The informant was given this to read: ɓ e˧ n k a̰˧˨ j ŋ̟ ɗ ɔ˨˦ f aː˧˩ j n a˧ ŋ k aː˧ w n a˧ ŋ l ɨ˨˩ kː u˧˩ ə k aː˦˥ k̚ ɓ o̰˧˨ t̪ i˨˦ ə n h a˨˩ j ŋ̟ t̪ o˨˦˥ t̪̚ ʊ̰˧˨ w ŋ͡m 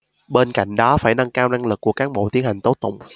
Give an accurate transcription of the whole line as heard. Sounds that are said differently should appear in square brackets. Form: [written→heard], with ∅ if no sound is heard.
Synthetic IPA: ɓ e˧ n k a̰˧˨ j ŋ̟ ɗ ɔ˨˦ f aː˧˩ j n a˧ ŋ k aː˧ w n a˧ ŋ l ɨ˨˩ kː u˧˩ ə k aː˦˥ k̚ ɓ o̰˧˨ t̪ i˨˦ ə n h a˨˩ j ŋ̟ t̪ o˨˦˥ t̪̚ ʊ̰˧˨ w ŋ͡m

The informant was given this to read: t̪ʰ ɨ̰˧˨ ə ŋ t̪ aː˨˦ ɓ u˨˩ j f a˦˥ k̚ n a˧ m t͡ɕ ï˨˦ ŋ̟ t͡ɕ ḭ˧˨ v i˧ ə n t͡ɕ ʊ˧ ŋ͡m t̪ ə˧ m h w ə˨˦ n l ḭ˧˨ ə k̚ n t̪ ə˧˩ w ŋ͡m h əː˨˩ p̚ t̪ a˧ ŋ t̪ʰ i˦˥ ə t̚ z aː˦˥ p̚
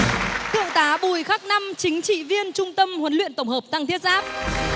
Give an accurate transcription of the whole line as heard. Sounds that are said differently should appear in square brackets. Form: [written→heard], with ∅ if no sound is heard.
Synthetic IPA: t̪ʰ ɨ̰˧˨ ə ŋ t̪ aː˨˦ ɓ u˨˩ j [f→x] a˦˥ k̚ n a˧ m t͡ɕ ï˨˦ ŋ̟ t͡ɕ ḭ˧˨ v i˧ ə n t͡ɕ ʊ˧ ŋ͡m t̪ ə˧ m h w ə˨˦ n l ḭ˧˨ ə [k̚→∅] n t̪ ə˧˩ w ŋ͡m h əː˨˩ p̚ t̪ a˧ ŋ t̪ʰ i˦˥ ə t̚ z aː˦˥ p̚

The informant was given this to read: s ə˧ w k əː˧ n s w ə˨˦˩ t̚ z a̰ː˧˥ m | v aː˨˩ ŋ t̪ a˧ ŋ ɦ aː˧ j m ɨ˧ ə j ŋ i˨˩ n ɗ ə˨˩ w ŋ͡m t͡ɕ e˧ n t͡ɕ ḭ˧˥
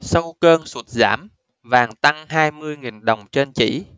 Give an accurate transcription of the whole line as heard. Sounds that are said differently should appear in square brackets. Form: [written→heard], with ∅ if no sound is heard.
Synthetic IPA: s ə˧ w k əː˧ n s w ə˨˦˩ t̚ z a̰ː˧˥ m | v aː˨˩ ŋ t̪ a˧ ŋ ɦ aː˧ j m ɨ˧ ə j ŋ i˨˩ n ɗ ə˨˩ w ŋ͡m t͡ɕ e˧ n t͡ɕ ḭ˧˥

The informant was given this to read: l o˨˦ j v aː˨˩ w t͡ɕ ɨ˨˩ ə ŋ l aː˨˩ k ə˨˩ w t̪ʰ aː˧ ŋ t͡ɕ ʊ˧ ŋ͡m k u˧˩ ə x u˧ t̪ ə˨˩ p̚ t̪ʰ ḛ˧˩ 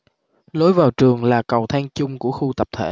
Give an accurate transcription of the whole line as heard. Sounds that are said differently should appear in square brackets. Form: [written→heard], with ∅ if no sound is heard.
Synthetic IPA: l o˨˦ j v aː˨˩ w t͡ɕ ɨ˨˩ ə ŋ l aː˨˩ k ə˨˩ w t̪ʰ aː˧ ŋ t͡ɕ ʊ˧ ŋ͡m k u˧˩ ə x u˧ t̪ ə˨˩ p̚ t̪ʰ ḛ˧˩

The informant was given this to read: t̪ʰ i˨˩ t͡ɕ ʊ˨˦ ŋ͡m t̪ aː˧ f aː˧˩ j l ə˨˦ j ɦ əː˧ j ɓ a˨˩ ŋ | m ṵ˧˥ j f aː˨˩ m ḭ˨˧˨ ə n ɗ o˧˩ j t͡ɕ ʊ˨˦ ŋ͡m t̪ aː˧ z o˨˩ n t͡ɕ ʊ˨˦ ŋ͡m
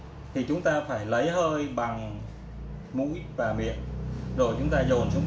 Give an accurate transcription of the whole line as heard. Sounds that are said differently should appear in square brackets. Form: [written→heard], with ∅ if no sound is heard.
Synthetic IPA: t̪ʰ i˨˩ t͡ɕ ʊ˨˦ ŋ͡m t̪ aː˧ f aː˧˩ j l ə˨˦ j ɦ əː˧ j ɓ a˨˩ ŋ | m ṵ˧˥ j [f→v] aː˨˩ m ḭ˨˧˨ ə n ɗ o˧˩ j t͡ɕ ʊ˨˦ ŋ͡m t̪ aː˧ z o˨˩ n t͡ɕ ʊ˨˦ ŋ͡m

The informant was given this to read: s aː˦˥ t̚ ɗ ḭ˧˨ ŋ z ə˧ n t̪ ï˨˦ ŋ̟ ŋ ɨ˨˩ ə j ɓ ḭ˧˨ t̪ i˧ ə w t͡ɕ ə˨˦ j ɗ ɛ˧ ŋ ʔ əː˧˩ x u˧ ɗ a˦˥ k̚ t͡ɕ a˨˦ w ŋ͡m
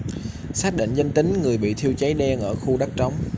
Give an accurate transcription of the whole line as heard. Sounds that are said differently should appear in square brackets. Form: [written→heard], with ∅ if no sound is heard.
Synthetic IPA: s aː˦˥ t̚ ɗ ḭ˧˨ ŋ z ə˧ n t̪ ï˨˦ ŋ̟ ŋ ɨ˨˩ ə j ɓ ḭ˧˨ [t̪→t̪ʰ] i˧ ə w t͡ɕ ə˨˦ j ɗ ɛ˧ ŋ ʔ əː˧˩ x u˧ ɗ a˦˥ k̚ t͡ɕ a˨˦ w ŋ͡m

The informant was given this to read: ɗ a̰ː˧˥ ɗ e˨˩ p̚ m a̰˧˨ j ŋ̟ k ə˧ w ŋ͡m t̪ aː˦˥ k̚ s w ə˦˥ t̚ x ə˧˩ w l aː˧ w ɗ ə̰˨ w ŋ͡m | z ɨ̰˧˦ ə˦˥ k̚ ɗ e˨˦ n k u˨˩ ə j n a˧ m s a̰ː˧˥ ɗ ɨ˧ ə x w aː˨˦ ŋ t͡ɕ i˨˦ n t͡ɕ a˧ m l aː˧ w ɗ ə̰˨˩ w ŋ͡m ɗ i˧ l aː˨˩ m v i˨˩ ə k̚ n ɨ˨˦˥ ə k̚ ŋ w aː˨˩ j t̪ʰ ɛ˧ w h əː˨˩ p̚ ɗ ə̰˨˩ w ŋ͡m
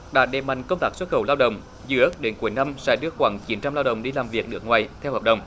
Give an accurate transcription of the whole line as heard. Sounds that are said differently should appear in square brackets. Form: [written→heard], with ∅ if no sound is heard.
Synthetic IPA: ɗ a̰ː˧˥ ɗ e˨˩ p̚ m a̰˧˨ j ŋ̟ k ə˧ w ŋ͡m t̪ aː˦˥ k̚ s w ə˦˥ t̚ x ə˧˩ w l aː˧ w ɗ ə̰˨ w ŋ͡m | z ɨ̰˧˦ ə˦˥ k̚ ɗ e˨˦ n k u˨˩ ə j n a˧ m s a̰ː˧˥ ɗ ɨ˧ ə x w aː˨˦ ŋ t͡ɕ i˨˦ n t͡ɕ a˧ m l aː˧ w ɗ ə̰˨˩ w ŋ͡m ɗ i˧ l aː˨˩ m v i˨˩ ə k̚ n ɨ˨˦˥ ə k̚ ŋ w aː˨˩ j t̪ʰ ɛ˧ w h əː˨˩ p̚ ɗ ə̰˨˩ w ŋ͡m

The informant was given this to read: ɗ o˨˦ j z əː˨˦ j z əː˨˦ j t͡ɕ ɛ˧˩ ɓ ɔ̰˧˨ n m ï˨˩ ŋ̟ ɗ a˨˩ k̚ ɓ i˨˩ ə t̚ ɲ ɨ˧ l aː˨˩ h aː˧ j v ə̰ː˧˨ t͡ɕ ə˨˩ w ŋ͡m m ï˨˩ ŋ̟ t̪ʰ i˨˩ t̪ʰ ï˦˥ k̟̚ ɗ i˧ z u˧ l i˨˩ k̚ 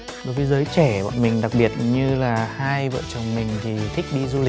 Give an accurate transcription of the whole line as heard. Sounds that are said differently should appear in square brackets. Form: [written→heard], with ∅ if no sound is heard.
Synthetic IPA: ɗ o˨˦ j [z→v] əː˨˦ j z əː˨˦ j t͡ɕ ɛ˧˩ ɓ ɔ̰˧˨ n m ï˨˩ ŋ̟ ɗ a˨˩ k̚ ɓ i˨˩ ə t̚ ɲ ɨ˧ l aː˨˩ h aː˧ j v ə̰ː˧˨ t͡ɕ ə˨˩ w ŋ͡m m ï˨˩ ŋ̟ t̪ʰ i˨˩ t̪ʰ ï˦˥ k̟̚ ɗ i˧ z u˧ l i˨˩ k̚

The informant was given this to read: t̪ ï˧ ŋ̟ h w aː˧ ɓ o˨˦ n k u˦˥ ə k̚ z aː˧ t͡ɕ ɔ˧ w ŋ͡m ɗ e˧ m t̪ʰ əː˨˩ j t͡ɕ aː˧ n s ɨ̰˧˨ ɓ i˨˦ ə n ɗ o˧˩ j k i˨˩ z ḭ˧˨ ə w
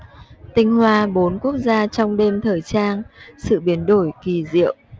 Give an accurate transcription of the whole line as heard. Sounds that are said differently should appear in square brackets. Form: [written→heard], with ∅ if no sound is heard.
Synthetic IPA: t̪ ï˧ ŋ̟ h w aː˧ ɓ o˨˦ n k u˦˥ ə k̚ z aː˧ t͡ɕ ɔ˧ w ŋ͡m ɗ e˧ m t̪ʰ əː˨˩ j t͡ɕ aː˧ n s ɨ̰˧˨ ɓ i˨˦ ə n ɗ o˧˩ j k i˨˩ z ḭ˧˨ ə w

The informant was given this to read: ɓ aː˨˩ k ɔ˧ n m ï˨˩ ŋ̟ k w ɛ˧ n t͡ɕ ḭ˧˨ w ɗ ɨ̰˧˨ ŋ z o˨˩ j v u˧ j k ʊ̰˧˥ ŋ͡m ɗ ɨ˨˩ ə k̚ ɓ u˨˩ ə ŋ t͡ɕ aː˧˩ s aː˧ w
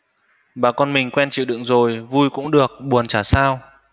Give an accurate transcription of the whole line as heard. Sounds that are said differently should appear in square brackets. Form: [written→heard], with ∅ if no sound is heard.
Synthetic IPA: ɓ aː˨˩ k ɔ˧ n m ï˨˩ ŋ̟ k w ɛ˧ n t͡ɕ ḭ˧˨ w ɗ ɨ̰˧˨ ŋ z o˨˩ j v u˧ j k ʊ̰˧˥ ŋ͡m ɗ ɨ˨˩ ə k̚ ɓ u˨˩ ə [ŋ→n] t͡ɕ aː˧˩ s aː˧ w

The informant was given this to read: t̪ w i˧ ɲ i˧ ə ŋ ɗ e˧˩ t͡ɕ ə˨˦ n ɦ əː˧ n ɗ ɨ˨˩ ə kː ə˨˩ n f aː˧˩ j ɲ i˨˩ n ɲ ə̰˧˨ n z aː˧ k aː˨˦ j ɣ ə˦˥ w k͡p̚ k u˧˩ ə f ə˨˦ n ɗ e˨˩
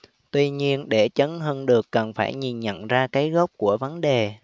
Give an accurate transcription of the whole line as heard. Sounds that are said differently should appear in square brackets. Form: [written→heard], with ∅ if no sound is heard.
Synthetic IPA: t̪ w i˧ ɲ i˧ ə [ŋ→n] ɗ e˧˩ t͡ɕ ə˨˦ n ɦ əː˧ n ɗ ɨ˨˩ ə kː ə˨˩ n f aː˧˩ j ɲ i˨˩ n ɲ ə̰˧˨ n z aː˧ k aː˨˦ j ɣ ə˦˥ w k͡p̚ k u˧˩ ə [f→v] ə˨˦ n ɗ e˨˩

